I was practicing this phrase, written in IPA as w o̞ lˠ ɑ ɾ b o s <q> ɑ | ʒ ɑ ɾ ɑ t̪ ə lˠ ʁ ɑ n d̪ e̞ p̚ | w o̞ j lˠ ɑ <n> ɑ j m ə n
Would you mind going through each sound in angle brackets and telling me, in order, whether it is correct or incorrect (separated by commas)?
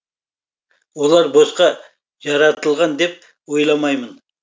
correct, incorrect